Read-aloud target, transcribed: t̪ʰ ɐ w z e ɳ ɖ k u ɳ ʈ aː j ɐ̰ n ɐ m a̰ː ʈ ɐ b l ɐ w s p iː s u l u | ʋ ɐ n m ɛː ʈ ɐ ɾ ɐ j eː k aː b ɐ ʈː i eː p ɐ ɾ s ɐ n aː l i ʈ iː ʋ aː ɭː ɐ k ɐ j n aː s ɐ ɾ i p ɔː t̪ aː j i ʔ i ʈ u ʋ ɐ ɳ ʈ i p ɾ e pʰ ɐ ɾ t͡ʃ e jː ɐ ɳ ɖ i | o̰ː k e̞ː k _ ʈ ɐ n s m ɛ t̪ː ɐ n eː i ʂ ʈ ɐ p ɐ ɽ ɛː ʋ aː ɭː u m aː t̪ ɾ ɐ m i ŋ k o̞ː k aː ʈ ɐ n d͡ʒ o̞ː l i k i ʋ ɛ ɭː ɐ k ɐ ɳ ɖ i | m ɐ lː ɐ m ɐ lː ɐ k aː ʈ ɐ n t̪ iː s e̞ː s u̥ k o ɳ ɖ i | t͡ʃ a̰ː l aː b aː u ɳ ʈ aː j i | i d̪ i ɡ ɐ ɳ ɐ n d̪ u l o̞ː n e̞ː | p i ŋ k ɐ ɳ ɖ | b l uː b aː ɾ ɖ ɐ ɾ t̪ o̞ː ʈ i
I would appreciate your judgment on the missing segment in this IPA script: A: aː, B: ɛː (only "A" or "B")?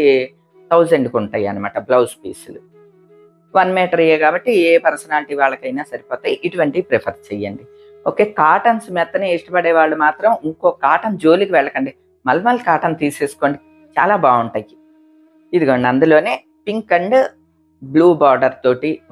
A